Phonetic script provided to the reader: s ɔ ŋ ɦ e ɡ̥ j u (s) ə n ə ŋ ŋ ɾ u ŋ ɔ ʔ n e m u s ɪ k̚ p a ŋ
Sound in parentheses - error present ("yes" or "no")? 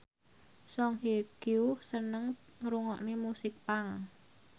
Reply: no